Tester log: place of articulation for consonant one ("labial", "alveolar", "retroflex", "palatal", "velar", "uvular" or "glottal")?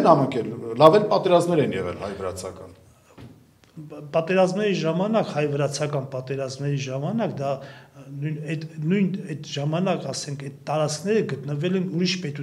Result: alveolar